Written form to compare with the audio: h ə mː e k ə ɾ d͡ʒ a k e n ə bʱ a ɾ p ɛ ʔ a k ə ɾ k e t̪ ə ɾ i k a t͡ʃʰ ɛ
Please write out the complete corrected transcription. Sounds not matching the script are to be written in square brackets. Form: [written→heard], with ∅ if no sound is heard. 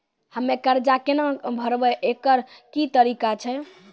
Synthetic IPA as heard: h ə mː e k ə ɾ d͡ʒ a k e n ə bʱ [a→ə] ɾ [p→b] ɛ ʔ [a→e] k ə ɾ k [e→i] t̪ ə ɾ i k a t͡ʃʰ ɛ